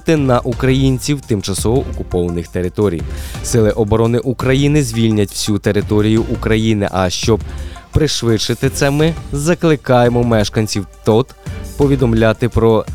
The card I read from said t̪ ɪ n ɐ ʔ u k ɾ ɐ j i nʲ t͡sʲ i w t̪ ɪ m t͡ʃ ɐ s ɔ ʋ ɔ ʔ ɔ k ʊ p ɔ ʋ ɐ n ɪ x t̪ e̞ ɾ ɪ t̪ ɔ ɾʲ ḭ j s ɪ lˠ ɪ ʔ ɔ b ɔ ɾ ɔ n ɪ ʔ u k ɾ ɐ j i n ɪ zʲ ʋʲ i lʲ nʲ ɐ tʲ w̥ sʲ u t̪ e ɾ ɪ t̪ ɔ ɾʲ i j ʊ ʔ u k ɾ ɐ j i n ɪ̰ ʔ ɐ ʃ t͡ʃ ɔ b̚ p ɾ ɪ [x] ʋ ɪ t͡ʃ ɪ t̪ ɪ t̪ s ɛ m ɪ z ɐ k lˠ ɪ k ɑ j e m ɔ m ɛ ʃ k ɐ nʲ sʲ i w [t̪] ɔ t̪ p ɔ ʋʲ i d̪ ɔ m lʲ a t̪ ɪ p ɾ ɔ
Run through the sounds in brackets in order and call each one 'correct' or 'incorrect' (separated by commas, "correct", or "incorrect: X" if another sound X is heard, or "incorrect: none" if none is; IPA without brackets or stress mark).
incorrect: ʃ, correct